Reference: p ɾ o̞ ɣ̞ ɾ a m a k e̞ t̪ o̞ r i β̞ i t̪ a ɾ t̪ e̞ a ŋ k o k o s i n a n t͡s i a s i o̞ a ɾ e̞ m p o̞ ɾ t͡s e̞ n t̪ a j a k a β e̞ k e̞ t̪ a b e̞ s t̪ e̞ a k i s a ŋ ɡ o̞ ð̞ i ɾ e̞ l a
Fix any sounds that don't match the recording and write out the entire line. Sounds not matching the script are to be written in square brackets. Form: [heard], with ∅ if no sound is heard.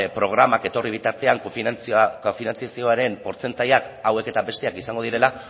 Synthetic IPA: p ɾ o̞ ɣ̞ ɾ a m a k e̞ t̪ o̞ r i β̞ i t̪ a ɾ t̪ e̞ a ŋ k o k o [f] i n a n t͡s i a s i o̞ a ɾ e̞ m p o̞ ɾ t͡s e̞ n t̪ a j a k a [w] e̞ k e̞ t̪ a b e̞ s t̪ e̞ a k i s a ŋ ɡ o̞ ð̞ i ɾ e̞ l a